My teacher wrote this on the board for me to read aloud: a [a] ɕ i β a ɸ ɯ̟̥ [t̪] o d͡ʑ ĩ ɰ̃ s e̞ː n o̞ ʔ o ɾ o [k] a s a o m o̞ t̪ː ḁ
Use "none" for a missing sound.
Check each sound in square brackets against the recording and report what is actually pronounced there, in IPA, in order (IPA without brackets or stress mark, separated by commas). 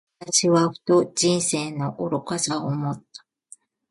a, t̪, k